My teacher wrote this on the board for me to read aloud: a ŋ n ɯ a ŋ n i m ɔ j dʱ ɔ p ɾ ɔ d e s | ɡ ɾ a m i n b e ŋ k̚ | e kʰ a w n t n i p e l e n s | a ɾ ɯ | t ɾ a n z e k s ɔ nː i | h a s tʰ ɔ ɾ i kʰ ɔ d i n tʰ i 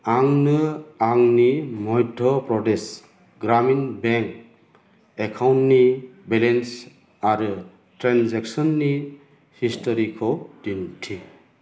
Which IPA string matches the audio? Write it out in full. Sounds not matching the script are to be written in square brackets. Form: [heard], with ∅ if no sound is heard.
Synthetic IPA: a ŋ n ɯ a ŋ n i m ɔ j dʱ ɔ p ɾ ɔ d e s | ɡ ɾ a m i n b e ŋ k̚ | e kʰ a w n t n i [b] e l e n s | a ɾ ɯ | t ɾ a n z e k s ɔ nː i | h [i] s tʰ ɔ ɾ i kʰ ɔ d i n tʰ i